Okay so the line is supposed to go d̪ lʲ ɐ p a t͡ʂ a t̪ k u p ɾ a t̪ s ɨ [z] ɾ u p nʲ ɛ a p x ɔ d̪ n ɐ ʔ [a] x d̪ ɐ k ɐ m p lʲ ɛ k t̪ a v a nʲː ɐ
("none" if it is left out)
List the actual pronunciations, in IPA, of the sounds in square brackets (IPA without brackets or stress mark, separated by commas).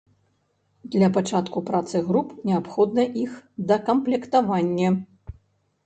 ɣ, i